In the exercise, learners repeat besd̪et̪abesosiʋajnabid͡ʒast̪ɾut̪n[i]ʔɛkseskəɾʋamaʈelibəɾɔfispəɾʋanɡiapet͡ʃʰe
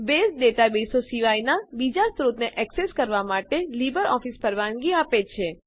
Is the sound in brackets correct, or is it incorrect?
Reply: incorrect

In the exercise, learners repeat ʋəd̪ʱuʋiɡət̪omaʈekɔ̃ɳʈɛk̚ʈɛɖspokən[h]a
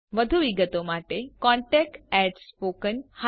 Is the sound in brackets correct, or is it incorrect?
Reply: correct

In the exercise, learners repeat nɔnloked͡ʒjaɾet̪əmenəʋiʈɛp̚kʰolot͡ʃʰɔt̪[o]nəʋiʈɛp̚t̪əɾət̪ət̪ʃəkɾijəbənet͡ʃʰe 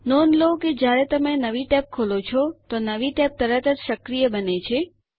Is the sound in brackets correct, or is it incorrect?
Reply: correct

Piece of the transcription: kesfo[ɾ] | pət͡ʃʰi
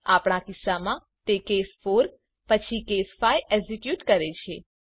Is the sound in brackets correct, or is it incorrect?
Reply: correct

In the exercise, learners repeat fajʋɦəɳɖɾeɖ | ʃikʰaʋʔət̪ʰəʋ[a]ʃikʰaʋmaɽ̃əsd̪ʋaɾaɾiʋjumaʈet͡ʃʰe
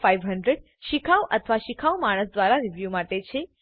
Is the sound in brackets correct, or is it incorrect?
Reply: correct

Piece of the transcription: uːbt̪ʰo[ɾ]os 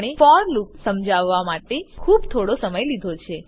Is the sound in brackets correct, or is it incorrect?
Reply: incorrect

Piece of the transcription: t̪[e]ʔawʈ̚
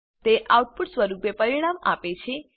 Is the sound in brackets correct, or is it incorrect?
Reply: correct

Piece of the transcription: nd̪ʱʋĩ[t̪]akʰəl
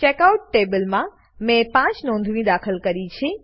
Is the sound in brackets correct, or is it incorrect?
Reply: incorrect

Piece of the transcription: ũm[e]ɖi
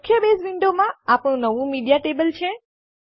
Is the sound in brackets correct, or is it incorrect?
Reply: incorrect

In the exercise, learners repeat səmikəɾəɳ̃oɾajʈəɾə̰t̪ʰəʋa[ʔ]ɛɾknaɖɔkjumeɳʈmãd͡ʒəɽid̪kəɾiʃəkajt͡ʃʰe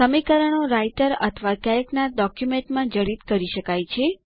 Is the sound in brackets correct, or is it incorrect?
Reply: incorrect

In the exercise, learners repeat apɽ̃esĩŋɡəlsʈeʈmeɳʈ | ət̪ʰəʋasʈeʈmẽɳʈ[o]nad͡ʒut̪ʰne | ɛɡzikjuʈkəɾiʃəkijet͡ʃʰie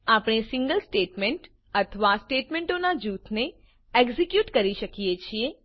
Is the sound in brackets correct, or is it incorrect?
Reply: correct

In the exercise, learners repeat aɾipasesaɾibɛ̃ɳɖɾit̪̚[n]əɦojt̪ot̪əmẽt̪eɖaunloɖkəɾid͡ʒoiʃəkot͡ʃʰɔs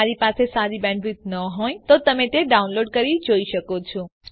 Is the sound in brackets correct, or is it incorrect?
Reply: correct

